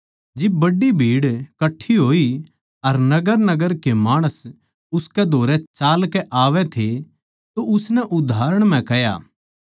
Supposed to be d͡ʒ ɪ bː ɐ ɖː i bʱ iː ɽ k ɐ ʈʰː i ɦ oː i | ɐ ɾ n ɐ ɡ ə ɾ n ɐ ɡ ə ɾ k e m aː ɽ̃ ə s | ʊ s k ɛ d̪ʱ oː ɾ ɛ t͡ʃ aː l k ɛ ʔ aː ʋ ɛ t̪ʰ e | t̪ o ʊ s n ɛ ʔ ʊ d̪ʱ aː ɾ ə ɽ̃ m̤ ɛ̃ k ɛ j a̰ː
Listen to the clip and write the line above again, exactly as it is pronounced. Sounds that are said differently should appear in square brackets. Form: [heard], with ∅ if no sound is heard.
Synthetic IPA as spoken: d͡ʒ ɪ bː ɐ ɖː i bʱ iː ɽ k ɐ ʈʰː i ɦ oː i | ɐ ɾ n ɐ ɡ ə ɾ n ɐ ɡ ə ɾ k e m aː ɽ̃ ə s | ʊ s k ɛ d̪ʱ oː ɾ ɛ t͡ʃ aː l k ɛ ʔ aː ʋ ɛ t̪ʰ e | t̪ o ʊ s n ɛ ʔ ʊ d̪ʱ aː ɾ ə ɽ̃ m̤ ɛ̃ k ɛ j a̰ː